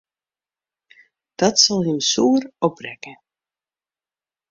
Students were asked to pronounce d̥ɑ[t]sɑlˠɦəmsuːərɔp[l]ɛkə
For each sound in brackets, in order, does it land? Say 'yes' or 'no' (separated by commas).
yes, no